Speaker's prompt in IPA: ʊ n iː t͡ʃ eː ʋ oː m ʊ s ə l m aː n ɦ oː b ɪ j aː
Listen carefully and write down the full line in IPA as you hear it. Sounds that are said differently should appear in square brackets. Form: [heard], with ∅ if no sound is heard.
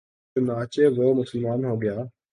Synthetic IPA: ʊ n [aː] t͡ʃ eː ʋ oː m ʊ s ə l m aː n ɦ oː [ɡ] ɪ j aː